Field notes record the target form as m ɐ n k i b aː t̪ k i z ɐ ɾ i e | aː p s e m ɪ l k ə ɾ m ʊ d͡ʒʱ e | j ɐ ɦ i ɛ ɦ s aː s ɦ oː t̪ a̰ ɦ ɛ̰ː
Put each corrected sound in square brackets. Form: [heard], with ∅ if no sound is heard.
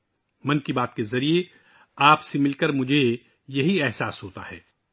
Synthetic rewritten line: m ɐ n k i b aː t̪ k [e] z ɐ ɾ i e | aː p s e m ɪ l k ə ɾ m ʊ d͡ʒʱ e | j ɐ ɦ i ɛ ɦ s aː s ɦ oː t̪ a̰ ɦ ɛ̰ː